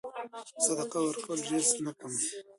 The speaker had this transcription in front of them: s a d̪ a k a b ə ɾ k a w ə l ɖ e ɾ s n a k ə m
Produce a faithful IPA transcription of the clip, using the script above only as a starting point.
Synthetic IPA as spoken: s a d̪ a q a w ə ɾ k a w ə l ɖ e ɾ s n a k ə m